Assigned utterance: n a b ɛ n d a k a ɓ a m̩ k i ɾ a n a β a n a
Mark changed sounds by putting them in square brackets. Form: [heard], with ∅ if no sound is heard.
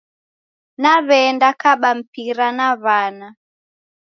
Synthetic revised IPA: n a [β] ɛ n d a k a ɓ a m̩ [p] i ɾ a n a β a n a